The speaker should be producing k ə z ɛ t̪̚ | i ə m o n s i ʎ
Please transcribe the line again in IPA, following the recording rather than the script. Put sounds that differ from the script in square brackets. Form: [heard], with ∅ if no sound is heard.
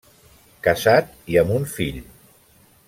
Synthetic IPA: k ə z [a] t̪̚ | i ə m [u] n [f] i ʎ